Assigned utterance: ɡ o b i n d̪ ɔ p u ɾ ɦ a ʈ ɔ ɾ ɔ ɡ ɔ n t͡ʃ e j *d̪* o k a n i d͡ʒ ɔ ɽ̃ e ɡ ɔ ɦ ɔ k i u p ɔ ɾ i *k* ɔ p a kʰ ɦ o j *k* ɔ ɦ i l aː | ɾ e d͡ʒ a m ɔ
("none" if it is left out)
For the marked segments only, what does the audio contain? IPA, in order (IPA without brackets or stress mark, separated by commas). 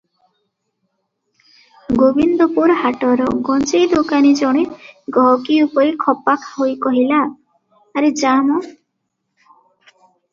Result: d̪, kʰ, k